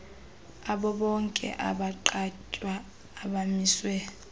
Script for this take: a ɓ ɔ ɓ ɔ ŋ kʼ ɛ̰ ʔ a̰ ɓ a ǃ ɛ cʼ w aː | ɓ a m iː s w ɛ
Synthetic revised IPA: a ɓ ɔ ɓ ɔ ŋ kʼ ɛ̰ ʔ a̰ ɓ a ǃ a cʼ w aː | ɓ a m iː s w ɛ